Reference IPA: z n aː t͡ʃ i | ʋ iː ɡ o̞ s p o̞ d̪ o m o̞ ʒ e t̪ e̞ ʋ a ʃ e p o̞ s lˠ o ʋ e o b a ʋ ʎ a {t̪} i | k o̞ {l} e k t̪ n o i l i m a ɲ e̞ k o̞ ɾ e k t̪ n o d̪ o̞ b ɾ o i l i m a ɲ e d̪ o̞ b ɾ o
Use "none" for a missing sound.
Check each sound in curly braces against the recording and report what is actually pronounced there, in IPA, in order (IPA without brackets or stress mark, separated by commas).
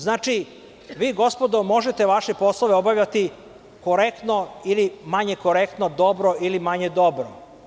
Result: t̪, ɾ